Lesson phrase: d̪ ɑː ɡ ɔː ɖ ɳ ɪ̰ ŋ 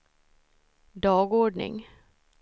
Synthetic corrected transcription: d̪ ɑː ɡ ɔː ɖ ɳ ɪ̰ ŋ